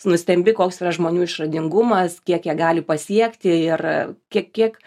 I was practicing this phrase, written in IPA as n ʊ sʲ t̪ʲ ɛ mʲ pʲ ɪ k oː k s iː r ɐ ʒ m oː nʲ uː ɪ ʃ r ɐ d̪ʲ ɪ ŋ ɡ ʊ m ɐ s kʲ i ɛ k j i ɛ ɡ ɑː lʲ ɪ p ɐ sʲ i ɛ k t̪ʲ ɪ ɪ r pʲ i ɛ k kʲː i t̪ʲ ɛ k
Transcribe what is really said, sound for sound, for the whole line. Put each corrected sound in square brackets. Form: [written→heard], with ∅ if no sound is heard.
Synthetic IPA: n ʊ sʲ t̪ʲ ɛ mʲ [pʲ→bʲ] ɪ k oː k s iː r ɐ ʒ m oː nʲ uː ɪ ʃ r ɐ d̪ʲ ɪ ŋ ɡ ʊ m ɐ s kʲ i ɛ k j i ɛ ɡ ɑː lʲ ɪ p ɐ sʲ i ɛ k t̪ʲ ɪ ɪ r [pʲ→kʲ] i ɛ k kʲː i [t̪ʲ→∅] ɛ k